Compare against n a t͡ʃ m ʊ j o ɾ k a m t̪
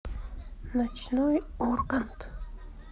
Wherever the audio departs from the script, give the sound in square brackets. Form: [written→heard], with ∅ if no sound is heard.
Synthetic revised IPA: n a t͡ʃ [m→n] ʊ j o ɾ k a [m→n] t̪

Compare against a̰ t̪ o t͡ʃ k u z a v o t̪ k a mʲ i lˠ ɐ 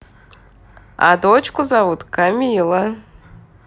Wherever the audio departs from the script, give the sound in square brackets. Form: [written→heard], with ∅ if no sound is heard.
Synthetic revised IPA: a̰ [t̪→d̪] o t͡ʃ k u z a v [o→u] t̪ k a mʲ i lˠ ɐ

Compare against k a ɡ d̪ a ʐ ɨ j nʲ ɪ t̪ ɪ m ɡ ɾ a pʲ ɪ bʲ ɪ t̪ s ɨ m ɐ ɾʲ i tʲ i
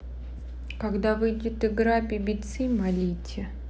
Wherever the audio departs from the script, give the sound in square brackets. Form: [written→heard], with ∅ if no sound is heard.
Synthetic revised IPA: k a ɡ d̪ a [ʐ→v] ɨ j [nʲ→dʲ] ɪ t̪ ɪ [m→∅] ɡ ɾ a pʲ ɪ bʲ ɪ t̪ s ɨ m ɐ [ɾʲ→lʲ] i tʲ [i→ɪ]

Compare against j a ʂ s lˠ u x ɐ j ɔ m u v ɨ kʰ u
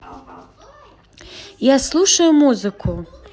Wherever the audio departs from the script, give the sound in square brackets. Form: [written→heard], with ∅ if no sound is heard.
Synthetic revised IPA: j a [ʂ→∅] s lˠ u [x→ʂ] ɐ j [ɔ→u] m u [v→z] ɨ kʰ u

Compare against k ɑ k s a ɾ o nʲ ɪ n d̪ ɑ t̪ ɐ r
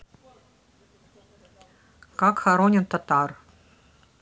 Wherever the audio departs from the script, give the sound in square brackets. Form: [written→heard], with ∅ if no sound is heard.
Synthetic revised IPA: k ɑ k [s→x] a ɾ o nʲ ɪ n [d̪→t̪] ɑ t̪ [ɐ→ɑ] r

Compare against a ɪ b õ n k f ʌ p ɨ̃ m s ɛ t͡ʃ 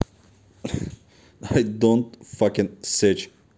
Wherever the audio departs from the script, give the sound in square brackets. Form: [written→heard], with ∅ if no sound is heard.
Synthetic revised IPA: a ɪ [b→d] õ n [k→t] f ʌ [p→k] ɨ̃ [m→n] s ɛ t͡ʃ

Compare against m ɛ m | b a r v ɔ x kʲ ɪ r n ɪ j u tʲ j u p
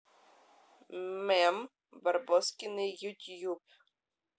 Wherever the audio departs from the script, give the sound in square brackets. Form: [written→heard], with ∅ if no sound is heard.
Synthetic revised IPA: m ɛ m | b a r [v→b] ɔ [x→s] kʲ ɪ [r→∅] n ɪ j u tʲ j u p

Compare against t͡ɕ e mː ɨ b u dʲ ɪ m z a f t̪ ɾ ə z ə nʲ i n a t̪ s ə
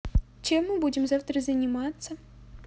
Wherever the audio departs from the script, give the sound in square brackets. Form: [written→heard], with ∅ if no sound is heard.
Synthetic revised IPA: t͡ɕ e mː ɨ b u dʲ ɪ m z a f t̪ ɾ ə z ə nʲ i [n→m] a t̪ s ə

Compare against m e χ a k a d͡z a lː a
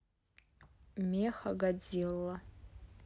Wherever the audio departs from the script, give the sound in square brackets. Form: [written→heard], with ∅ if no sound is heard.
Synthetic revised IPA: m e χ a [k→ɡ] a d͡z [a→i] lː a

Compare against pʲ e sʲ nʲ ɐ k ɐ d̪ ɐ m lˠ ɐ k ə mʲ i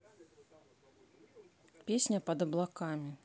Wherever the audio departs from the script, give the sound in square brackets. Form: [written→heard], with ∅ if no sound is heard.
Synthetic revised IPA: pʲ e sʲ nʲ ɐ [k→p] ɐ d̪ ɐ [m→b] lˠ [ɐ→a] k [ə→a] mʲ i

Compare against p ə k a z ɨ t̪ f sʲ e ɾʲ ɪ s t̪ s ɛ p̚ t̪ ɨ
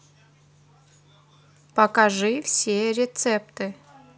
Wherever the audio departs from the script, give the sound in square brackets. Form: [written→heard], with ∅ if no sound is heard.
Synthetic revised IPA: p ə k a [z→ʐ] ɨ [t̪→∅] f sʲ e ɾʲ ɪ [s→∅] t̪ s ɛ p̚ t̪ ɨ

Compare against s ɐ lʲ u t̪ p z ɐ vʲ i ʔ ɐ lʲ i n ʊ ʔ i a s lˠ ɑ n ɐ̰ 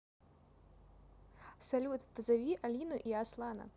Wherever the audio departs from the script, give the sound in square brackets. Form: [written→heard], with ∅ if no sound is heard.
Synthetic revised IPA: s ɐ lʲ u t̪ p z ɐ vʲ i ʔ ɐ lʲ i n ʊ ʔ i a s lˠ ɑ n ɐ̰

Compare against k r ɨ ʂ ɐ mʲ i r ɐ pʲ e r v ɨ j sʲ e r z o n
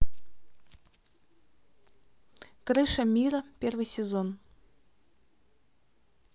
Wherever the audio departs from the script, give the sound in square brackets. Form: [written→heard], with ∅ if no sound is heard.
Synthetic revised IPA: k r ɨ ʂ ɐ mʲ i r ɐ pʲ e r v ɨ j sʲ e [r→∅] z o n

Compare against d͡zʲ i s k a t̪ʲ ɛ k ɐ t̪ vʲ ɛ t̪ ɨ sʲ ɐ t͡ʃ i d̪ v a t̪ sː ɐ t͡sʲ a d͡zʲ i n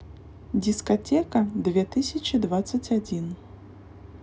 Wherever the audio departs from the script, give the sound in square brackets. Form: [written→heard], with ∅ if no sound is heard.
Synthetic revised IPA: d͡zʲ i s k a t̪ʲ ɛ k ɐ [t̪→d̪] vʲ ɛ t̪ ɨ sʲ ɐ t͡ʃ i d̪ v a t̪ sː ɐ t͡sʲ a d͡zʲ i n

